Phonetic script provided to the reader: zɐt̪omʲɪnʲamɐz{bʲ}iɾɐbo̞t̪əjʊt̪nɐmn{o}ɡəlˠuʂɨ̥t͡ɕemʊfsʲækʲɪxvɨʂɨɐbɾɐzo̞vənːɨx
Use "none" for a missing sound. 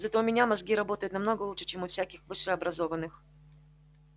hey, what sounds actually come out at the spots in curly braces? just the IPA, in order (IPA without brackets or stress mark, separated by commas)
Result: ɡʲ, o